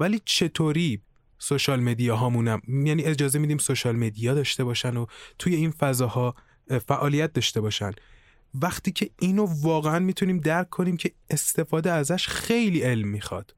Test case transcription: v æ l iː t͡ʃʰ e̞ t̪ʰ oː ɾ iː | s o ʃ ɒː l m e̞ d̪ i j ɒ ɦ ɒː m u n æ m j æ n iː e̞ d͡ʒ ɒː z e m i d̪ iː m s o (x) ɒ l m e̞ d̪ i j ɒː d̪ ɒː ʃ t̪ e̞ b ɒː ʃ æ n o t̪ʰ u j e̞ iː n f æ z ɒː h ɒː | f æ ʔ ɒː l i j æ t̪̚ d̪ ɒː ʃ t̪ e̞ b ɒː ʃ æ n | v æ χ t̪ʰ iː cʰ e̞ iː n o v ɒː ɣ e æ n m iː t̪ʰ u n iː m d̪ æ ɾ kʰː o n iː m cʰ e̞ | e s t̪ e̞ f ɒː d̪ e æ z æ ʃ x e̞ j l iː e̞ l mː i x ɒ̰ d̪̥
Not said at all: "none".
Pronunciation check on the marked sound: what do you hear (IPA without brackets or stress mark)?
ʃ